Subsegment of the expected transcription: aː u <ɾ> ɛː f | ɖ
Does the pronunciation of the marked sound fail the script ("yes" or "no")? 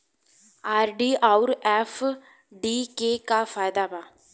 no